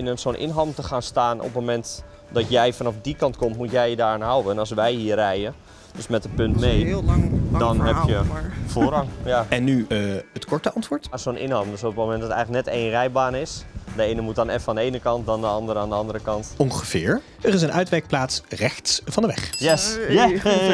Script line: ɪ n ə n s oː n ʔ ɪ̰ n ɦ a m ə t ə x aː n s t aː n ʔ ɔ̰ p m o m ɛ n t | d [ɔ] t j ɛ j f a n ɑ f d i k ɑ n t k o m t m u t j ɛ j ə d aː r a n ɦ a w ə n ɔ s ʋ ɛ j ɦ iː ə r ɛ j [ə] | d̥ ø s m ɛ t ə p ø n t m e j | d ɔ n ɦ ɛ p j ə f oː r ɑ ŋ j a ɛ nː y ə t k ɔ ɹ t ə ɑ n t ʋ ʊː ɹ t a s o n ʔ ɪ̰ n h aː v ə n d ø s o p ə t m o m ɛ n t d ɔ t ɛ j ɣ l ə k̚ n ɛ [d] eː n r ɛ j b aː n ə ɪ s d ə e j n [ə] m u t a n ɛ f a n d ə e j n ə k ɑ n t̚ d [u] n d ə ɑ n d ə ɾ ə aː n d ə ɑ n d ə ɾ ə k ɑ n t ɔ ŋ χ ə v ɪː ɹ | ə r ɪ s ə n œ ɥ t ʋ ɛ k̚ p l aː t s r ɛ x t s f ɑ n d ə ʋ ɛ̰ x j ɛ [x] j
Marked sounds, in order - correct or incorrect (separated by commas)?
correct, correct, incorrect, correct, incorrect, incorrect